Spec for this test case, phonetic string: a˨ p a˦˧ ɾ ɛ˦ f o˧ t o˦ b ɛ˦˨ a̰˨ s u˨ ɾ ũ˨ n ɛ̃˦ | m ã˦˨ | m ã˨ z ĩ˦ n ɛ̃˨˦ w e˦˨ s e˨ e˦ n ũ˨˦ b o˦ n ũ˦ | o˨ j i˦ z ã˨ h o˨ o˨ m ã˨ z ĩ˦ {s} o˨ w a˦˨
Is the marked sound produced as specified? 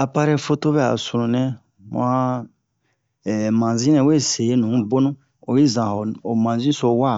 yes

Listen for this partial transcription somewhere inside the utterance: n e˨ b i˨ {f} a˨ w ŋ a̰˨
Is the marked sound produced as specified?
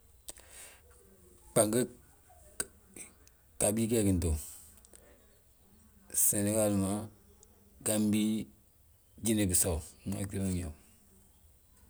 no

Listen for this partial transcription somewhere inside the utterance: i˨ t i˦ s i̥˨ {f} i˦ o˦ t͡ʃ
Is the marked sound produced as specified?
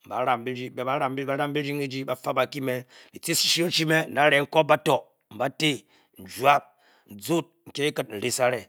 no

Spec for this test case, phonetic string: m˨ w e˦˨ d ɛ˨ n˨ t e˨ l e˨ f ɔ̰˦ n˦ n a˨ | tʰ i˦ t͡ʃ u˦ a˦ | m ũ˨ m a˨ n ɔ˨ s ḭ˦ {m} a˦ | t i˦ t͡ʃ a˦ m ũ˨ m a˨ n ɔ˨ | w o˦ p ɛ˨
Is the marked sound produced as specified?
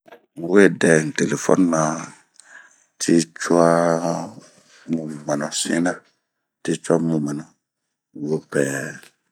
no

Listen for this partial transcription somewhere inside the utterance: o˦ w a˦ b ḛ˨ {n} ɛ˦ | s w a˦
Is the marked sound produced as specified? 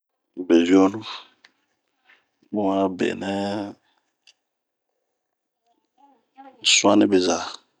yes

